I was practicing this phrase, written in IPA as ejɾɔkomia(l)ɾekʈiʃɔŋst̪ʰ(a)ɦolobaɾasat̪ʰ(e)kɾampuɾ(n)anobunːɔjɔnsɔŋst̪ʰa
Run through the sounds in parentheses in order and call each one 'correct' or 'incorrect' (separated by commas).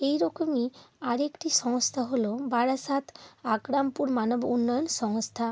incorrect, correct, incorrect, incorrect